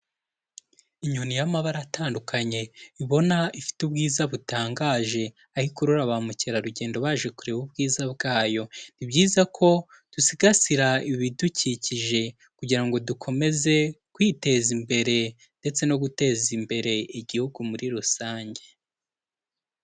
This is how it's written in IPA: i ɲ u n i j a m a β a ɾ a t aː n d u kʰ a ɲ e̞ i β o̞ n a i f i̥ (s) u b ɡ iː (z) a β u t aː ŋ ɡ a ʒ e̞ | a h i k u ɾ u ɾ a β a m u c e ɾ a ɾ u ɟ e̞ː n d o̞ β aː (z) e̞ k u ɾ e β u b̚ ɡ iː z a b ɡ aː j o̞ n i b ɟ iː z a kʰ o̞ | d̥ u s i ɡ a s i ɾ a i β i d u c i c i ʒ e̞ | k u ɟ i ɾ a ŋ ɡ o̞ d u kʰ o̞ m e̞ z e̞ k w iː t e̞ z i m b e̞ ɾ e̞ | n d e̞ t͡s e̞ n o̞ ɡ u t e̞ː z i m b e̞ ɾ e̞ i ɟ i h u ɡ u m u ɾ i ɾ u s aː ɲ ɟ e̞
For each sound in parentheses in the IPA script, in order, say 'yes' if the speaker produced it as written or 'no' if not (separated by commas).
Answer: no, yes, no